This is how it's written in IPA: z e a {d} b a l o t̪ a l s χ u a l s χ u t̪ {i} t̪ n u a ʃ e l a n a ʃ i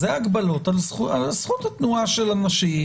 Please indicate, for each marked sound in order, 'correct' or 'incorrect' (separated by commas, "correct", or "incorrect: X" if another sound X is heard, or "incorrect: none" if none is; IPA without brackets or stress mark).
incorrect: ɡ, incorrect: a